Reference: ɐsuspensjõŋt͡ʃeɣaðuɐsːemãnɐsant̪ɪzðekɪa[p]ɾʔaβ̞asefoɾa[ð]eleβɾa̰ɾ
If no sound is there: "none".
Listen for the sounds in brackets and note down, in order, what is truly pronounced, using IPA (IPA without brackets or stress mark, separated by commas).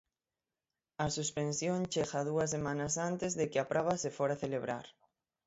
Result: p, θ